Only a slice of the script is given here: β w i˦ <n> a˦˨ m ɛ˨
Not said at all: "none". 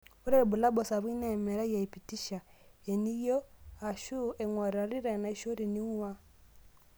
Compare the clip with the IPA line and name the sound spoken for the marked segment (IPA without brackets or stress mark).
n